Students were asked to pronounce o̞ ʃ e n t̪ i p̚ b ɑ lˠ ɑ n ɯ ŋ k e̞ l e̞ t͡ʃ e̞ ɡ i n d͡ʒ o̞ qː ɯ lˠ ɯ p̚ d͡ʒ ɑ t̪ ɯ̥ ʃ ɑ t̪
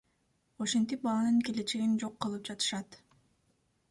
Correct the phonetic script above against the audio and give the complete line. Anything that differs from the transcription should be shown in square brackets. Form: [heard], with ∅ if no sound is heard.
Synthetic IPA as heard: o̞ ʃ e n t̪ i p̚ b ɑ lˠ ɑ n ɯ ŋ k e̞ l e̞ t͡ʃ e̞ ɡ i n d͡ʒ o̞ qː ɯ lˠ ɯ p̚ d͡ʒ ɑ t̪ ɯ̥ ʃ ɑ t̪